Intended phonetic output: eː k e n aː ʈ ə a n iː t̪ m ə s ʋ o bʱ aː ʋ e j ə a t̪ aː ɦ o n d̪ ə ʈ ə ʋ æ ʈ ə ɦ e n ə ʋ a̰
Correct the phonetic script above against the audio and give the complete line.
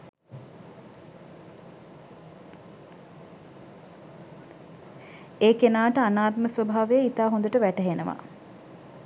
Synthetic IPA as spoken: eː k e n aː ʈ ə a n aː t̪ m ə s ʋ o bʱ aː ʋ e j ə i t̪ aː ɦ o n d̪ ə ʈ ə ʋ æ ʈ ə ɦ e n ə ʋ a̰